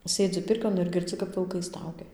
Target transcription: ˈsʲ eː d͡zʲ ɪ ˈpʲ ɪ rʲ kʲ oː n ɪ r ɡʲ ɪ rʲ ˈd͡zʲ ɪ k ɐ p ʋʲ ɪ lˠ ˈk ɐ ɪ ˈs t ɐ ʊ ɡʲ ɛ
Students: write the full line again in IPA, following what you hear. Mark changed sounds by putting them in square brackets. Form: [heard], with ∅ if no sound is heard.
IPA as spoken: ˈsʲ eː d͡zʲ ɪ ˈpʲ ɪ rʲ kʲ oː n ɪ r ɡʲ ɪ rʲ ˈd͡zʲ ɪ k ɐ p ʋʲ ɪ lˠ ˈk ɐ ɪ ˈs t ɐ ʊ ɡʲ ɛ